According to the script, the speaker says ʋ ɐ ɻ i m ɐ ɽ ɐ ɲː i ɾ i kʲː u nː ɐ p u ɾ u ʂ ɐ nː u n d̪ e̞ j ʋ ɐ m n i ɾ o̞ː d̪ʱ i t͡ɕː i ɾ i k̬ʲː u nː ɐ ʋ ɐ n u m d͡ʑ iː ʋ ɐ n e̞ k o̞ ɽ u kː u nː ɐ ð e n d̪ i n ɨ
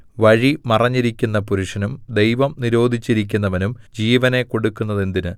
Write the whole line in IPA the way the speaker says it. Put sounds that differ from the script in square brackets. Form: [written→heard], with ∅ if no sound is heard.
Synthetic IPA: ʋ ɐ ɻ i m ɐ [ɽ→r] ɐ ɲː i ɾ i kʲː u nː ɐ p u ɾ u ʂ ɐ [nː→n] u [n→m] d̪ e̞ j ʋ ɐ m n i ɾ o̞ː d̪ʱ i t͡ɕː i ɾ i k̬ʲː u nː ɐ ʋ ɐ n u m d͡ʑ iː ʋ ɐ n e̞ k o̞ ɽ u kː u nː ɐ ð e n d̪ i n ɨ